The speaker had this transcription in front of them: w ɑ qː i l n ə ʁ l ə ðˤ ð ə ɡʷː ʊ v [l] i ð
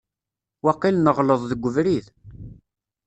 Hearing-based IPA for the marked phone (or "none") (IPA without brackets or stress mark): ɾ